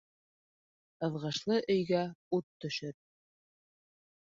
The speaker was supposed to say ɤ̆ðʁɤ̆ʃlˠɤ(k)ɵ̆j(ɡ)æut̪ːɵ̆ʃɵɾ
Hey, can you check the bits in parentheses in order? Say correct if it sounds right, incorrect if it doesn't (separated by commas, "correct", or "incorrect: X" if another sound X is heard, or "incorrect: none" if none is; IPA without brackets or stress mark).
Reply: incorrect: ʔ, correct